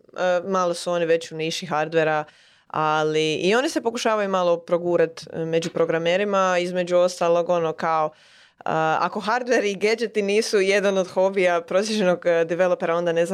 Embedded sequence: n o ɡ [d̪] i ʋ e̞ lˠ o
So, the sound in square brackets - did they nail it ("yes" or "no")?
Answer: yes